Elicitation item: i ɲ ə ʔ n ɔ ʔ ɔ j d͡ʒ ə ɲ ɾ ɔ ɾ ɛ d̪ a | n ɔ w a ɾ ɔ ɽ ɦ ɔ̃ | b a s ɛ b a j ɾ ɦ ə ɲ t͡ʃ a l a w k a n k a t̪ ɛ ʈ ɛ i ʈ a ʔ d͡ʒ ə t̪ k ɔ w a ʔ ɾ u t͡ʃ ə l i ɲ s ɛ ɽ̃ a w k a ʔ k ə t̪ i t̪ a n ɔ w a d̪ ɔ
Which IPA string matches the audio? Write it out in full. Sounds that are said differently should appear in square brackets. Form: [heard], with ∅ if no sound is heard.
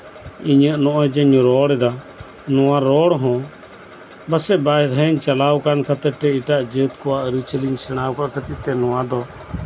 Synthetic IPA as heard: i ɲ ə ʔ n ɔ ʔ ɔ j d͡ʒ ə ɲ ɾ ɔ [ɽ] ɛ d̪ a | n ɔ w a ɾ ɔ ɽ ɦ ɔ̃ | b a s ɛ b a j ɾ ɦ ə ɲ t͡ʃ a l a w k a n k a t̪ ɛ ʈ ɛ i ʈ a ʔ d͡ʒ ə t̪ k ɔ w a ʔ ɾ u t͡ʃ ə l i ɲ s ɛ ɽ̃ a w k a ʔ k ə t̪ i t̪ [ɛ] n ɔ w a d̪ ɔ